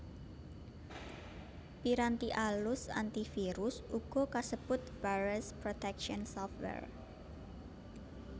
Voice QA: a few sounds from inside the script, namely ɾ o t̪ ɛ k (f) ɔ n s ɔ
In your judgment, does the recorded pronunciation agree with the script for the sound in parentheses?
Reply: no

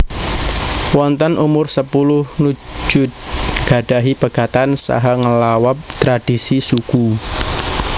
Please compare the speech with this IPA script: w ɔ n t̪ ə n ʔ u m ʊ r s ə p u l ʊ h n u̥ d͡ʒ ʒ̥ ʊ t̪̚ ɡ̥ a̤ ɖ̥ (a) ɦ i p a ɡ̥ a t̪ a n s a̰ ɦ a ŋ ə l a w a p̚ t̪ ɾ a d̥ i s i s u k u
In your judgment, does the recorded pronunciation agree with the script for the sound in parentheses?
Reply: yes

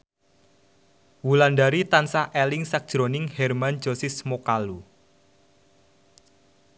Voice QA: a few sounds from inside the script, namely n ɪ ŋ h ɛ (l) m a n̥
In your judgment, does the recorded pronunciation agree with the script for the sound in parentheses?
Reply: no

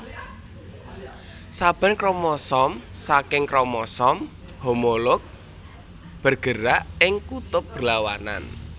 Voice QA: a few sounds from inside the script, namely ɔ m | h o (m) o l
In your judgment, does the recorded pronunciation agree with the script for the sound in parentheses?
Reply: yes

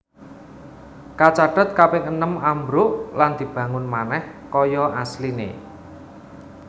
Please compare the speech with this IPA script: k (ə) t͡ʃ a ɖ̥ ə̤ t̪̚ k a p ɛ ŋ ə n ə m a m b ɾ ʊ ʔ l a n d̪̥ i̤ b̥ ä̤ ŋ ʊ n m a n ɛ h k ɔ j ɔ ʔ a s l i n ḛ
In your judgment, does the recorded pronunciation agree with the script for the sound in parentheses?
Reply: no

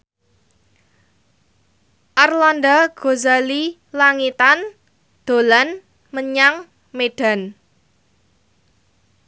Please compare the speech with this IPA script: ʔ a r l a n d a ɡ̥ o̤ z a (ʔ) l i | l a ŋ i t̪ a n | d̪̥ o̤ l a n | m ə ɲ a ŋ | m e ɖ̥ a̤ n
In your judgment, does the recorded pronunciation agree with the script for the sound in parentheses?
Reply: no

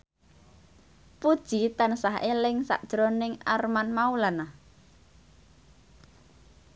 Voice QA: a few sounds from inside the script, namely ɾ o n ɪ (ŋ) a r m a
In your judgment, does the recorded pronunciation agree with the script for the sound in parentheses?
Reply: yes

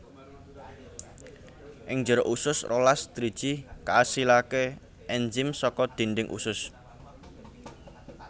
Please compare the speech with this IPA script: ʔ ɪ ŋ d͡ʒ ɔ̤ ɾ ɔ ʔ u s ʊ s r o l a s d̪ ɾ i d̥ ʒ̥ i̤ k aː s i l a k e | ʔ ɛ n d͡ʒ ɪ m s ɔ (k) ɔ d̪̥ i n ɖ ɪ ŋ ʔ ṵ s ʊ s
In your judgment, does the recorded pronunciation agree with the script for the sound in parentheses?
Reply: yes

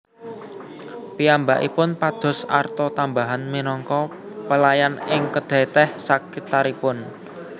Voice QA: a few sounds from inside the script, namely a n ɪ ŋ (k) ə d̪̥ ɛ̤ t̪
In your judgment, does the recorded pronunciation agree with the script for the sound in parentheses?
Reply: yes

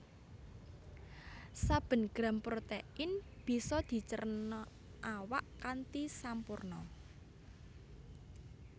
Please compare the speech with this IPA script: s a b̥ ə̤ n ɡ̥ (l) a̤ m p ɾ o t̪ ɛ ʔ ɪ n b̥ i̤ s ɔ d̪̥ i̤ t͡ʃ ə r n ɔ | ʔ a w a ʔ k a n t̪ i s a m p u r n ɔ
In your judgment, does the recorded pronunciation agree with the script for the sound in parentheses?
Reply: no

